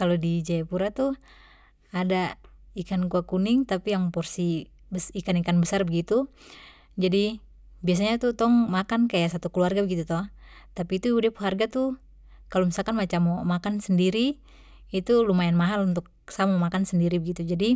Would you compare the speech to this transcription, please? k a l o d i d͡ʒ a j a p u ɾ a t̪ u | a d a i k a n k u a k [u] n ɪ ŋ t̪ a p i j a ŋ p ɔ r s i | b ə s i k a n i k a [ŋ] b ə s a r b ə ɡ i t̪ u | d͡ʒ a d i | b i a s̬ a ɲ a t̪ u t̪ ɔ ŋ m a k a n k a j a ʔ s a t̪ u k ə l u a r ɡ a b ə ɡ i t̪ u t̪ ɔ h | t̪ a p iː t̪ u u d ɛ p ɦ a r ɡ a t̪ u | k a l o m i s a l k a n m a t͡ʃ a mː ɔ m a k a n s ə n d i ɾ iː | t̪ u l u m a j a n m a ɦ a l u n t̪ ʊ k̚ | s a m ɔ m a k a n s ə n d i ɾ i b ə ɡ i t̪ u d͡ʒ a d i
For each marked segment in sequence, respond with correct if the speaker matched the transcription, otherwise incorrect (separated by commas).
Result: correct, incorrect